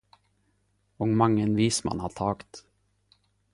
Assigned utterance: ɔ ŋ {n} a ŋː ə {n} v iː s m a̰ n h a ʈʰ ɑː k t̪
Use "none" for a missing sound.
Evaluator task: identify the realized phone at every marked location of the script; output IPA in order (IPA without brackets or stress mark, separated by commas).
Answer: m, n